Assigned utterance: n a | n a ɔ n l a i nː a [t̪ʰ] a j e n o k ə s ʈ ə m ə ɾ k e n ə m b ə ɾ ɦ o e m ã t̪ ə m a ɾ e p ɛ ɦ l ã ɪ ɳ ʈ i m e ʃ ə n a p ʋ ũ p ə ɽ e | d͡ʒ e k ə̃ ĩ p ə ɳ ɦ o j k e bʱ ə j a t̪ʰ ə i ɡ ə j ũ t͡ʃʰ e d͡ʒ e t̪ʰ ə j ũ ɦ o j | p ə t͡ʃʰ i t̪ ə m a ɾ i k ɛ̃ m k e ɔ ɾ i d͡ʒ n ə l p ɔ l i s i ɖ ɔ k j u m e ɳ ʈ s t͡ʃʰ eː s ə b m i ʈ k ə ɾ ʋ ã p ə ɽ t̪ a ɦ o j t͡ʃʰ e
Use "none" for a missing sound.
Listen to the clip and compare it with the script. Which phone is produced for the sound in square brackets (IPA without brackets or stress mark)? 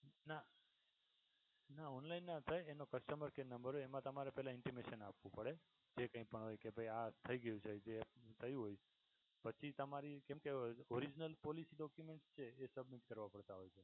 t̪ʰ